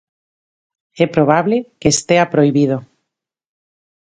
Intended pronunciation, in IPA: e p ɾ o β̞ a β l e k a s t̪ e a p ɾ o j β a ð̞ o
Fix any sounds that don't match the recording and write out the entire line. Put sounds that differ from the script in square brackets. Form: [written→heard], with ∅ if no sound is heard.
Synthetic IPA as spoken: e p ɾ o β̞ a β l e k [a→e] s t̪ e a p ɾ o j β [a→i] ð̞ o